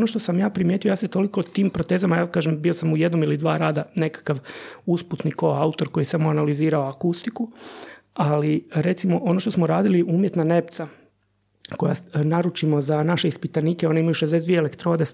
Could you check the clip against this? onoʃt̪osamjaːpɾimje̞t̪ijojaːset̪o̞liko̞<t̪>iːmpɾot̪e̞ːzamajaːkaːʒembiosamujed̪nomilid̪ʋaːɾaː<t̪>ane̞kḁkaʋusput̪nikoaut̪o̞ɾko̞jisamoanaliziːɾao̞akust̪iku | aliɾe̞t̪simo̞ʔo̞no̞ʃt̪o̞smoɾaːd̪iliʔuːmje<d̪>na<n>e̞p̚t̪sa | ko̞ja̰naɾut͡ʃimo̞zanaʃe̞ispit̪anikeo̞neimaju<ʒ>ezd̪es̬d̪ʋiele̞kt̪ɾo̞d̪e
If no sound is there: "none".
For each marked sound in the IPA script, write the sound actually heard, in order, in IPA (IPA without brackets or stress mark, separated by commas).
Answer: t̪, d̪, t̪, n, ʃ